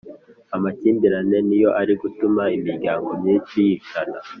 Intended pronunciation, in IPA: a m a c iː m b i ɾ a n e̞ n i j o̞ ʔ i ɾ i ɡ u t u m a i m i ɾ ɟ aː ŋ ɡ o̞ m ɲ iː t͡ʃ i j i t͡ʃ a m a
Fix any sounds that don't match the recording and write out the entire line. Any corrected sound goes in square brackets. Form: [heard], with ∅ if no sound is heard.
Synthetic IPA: a m a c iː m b i ɾ a n e̞ n i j o̞ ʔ [a] ɾ i ɡ u t u m a i m i ɾ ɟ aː ŋ ɡ o̞ m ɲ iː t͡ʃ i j i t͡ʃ a [n] a